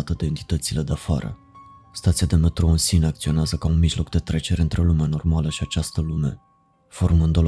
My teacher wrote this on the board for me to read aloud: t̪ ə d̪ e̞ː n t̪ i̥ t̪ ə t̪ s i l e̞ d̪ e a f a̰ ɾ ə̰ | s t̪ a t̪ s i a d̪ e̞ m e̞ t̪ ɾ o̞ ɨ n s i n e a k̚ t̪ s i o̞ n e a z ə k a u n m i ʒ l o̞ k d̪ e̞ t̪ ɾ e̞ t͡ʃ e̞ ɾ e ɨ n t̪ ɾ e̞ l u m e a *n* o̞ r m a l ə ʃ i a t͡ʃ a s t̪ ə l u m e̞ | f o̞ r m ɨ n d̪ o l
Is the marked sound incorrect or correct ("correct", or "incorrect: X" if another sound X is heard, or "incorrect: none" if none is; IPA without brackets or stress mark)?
correct